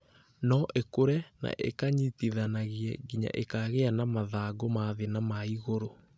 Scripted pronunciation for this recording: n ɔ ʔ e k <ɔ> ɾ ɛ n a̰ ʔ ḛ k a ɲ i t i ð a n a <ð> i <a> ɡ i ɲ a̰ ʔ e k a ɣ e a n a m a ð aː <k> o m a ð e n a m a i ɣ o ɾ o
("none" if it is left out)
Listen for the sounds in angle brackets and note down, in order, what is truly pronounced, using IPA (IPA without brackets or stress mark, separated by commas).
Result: o, ɣ, ɛ, ɡ